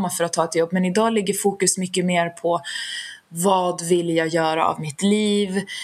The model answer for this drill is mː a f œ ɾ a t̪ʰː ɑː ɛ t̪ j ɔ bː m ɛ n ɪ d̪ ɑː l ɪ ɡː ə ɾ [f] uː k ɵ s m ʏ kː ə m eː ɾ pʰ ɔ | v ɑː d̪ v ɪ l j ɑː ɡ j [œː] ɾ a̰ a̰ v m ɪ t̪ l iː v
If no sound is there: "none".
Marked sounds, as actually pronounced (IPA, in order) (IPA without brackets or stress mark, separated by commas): f, œː